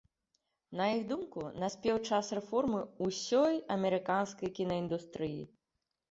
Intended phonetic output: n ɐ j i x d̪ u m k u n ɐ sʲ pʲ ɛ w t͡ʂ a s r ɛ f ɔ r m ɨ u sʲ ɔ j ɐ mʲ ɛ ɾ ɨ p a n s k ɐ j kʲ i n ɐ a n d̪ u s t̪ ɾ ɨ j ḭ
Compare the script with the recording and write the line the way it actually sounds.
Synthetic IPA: n ɐ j i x d̪ u m k u n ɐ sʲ pʲ ɛ w t͡ʂ a s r ɛ f ɔ r m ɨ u sʲ ɔ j ɐ mʲ ɛ ɾ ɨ k a n s k ɐ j kʲ i n ɐ i n d̪ u s t̪ ɾ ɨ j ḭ